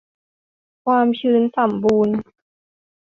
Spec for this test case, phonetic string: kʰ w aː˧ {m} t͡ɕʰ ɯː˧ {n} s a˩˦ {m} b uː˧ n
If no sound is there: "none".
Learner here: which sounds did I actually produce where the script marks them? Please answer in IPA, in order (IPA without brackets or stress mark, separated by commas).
m, n, m